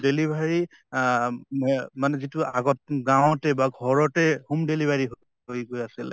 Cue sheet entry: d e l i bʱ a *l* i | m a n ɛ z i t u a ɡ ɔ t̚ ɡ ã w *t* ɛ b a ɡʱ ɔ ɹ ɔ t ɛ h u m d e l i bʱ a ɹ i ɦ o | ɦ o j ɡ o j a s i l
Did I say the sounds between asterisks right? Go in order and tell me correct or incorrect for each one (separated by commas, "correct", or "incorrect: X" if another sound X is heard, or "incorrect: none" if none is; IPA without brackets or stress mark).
incorrect: ɹ, correct